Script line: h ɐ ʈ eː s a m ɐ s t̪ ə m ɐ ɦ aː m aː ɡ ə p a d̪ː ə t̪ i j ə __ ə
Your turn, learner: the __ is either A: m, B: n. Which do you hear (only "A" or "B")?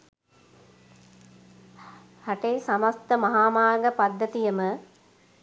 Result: A